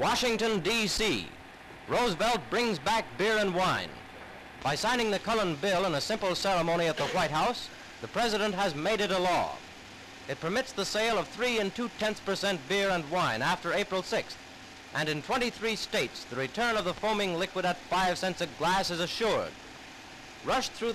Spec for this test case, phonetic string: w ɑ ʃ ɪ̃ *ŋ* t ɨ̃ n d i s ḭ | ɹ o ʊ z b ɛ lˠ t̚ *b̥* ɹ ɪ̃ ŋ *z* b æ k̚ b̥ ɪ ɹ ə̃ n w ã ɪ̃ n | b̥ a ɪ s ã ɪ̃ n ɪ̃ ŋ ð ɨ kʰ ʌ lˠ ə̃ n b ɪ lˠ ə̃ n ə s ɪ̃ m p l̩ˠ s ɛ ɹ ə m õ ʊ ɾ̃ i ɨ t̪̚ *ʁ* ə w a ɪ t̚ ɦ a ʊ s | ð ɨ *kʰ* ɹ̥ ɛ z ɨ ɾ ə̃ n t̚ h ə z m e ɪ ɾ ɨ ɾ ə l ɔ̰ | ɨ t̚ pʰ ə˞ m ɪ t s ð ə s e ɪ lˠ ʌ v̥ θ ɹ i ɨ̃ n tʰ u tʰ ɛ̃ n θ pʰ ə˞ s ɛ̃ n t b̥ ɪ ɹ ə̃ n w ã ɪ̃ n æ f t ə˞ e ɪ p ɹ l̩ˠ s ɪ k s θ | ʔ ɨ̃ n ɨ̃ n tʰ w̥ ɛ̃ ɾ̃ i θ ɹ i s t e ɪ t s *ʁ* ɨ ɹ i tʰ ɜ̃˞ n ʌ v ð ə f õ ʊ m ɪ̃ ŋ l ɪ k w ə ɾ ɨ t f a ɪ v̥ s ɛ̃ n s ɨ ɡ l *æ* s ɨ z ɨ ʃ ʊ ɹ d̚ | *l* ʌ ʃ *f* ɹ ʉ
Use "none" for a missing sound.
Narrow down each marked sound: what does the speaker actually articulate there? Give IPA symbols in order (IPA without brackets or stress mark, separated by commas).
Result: ŋ, b̥, z, ð, pʰ, ð, æ, ɹ, θ